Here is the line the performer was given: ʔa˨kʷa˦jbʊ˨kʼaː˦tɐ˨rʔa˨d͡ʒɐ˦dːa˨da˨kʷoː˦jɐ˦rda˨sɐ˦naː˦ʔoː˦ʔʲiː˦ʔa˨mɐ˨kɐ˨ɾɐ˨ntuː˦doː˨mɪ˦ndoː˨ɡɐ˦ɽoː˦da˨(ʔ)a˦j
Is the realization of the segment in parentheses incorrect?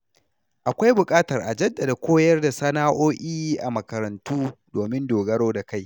yes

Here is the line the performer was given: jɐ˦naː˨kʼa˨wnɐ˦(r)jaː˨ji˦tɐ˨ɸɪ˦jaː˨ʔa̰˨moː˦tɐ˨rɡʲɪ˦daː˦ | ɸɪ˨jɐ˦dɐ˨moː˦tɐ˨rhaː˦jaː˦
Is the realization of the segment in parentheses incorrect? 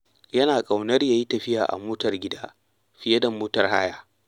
no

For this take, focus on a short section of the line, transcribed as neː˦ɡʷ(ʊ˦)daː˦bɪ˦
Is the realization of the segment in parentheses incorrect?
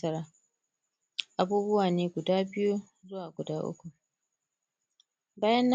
yes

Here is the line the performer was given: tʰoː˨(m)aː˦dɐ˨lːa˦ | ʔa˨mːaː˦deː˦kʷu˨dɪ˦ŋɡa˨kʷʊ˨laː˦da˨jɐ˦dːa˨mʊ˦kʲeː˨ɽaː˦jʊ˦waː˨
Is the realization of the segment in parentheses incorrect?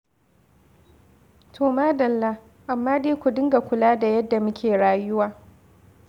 no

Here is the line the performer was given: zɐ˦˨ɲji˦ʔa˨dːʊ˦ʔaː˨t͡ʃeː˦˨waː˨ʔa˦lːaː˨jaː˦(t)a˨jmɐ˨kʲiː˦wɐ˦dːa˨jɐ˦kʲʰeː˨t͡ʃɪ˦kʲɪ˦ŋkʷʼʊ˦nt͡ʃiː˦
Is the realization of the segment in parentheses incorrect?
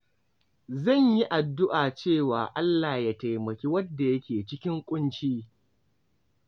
no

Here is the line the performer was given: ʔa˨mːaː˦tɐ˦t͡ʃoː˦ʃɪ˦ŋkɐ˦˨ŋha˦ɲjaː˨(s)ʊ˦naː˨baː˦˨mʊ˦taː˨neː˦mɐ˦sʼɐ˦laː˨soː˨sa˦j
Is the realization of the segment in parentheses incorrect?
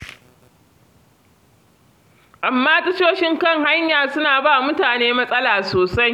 no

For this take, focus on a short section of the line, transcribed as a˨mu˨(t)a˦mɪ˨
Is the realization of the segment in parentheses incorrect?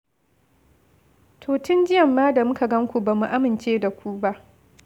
yes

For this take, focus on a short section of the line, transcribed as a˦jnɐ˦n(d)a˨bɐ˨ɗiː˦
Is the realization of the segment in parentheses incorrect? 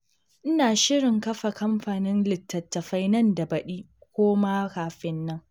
no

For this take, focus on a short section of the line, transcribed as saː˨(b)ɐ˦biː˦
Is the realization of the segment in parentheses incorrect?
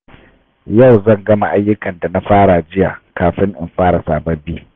no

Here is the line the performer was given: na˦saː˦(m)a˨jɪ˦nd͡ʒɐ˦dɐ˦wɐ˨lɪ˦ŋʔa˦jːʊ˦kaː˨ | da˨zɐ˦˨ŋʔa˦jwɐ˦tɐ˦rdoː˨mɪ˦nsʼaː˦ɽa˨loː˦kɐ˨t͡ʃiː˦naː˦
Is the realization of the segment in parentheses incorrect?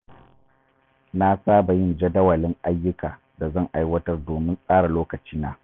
yes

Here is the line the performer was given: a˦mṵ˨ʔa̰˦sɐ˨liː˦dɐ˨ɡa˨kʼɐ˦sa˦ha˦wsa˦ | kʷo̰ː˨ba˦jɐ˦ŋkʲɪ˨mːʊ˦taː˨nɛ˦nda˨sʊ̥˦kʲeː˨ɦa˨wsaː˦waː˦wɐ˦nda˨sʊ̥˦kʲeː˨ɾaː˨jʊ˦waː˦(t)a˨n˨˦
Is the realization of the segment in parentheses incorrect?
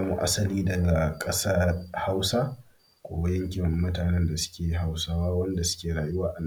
yes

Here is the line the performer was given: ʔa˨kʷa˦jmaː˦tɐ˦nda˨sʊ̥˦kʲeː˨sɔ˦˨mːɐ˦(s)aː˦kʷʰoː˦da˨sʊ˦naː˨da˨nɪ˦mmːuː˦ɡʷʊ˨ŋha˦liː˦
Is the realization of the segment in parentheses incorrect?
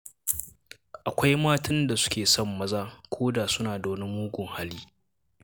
yes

